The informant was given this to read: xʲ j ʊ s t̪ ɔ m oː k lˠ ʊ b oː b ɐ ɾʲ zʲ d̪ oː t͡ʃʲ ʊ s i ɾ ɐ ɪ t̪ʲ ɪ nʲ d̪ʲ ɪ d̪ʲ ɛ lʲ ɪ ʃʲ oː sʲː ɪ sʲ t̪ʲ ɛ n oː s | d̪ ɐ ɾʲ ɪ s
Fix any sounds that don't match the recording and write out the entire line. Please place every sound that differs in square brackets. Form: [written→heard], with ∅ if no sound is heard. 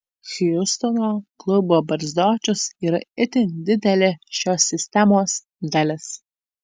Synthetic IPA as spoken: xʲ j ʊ s t̪ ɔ [m→n] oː k lˠ ʊ b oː b ɐ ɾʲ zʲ d̪ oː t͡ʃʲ ʊ s i ɾ ɐ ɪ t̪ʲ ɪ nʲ d̪ʲ ɪ d̪ʲ ɛ lʲ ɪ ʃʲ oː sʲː ɪ sʲ t̪ʲ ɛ [n→m] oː s | d̪ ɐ [ɾʲ→lʲ] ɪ s